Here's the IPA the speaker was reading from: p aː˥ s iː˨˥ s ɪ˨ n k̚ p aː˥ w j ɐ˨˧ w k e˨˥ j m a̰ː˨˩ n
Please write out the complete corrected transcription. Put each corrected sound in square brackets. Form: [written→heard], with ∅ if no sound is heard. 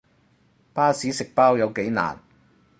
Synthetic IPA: p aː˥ s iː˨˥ s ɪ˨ [n→∅] k̚ p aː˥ w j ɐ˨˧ w k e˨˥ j [m→n] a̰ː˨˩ n